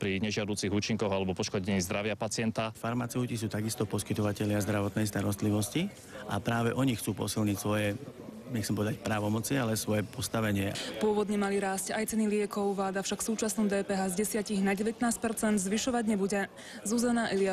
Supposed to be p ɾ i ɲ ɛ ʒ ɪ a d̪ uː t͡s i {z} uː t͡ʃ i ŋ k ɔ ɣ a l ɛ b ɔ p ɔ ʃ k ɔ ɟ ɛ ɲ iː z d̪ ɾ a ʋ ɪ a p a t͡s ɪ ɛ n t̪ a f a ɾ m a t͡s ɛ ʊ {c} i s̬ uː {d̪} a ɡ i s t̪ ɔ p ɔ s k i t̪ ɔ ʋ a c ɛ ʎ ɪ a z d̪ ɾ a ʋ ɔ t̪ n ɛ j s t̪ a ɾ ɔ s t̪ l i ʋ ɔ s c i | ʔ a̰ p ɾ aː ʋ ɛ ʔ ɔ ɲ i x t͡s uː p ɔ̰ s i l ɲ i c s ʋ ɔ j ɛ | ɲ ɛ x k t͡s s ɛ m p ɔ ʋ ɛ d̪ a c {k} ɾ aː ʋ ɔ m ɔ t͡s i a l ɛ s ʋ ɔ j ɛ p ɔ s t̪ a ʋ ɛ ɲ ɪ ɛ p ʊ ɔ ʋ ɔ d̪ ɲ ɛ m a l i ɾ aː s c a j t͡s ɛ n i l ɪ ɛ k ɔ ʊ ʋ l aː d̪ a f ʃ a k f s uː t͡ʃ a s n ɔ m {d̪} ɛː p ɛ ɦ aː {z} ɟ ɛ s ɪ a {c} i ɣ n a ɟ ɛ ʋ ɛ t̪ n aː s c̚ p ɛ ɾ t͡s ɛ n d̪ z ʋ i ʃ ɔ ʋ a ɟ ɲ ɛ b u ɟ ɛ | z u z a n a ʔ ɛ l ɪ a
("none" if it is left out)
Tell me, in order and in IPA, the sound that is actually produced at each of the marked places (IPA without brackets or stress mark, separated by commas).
ɣ, c, t̪, p, d̪, z, c